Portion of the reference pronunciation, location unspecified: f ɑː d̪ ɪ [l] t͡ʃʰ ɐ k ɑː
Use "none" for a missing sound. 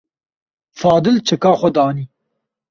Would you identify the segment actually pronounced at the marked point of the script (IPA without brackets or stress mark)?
l